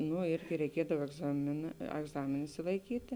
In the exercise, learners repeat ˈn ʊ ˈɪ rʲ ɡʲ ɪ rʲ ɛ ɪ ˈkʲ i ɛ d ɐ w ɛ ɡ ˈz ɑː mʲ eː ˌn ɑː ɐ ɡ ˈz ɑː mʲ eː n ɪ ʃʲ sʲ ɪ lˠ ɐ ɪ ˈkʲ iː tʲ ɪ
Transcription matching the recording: ˈn ʊ ˈɪ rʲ ɡʲ ɪ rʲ ɛ ɪ ˈkʲ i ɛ d ɐ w ɛ ɡ ˈz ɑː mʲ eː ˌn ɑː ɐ ɡ ˈz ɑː mʲ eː n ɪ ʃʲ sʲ ɪ lˠ ɐ ɪ ˈkʲ iː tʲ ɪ